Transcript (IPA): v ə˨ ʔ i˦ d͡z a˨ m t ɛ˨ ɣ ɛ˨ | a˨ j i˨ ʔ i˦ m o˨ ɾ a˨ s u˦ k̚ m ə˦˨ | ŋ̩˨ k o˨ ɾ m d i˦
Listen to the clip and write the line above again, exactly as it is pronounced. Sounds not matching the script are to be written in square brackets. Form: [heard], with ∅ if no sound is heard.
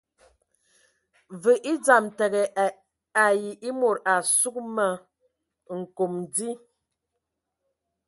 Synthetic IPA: v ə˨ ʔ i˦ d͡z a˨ m t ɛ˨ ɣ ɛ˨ | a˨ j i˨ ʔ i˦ m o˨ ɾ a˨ s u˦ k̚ m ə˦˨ | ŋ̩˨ k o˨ [∅] m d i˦